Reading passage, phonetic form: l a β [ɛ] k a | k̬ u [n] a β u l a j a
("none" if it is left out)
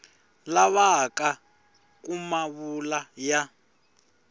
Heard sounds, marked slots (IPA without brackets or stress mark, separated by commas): a, m